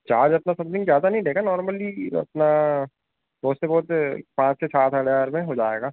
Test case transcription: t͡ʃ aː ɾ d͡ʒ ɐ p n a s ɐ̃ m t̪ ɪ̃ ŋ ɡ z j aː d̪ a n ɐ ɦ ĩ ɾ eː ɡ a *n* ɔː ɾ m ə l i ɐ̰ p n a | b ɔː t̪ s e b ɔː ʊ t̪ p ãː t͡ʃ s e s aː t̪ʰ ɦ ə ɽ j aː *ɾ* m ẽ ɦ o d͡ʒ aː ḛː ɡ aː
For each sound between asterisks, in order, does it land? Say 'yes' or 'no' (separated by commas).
yes, yes